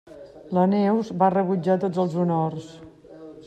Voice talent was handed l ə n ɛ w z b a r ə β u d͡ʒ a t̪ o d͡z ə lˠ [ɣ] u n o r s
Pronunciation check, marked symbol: incorrect: z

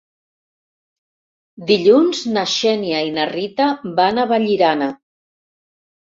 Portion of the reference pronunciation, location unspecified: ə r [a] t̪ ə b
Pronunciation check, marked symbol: incorrect: i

